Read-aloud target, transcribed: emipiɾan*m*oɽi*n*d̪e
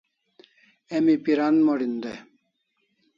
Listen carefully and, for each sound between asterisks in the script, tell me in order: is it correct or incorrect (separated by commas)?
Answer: correct, correct